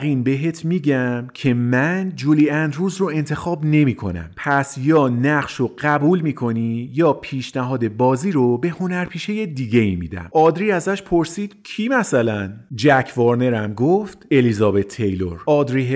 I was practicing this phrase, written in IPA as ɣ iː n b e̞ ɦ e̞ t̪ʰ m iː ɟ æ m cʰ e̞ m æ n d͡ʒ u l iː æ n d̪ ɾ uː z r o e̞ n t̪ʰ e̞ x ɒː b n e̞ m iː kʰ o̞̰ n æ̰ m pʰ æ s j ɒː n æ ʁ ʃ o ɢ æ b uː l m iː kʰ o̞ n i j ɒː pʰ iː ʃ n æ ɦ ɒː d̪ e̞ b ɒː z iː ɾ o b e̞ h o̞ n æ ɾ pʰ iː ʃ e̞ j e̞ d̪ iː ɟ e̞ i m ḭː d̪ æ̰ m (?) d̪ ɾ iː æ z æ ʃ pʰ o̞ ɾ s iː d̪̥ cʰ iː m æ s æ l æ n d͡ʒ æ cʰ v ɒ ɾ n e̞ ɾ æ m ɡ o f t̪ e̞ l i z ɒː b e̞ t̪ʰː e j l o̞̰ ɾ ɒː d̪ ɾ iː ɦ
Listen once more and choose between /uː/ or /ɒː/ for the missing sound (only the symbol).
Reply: ɒː